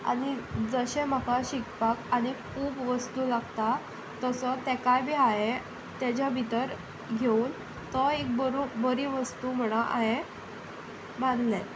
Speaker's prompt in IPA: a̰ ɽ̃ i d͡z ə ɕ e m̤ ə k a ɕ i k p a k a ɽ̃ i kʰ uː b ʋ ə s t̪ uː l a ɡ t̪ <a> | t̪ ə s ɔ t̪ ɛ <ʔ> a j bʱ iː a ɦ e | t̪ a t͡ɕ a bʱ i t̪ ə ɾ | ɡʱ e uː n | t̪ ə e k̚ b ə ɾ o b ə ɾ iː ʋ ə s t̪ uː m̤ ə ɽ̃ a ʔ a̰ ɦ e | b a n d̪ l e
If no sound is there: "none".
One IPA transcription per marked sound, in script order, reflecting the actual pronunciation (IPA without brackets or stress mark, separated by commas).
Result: a, k